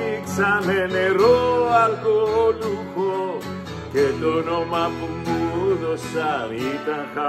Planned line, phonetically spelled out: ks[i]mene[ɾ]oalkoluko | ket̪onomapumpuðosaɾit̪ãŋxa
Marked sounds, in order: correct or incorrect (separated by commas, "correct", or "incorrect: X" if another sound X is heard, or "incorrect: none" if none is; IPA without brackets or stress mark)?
incorrect: a, correct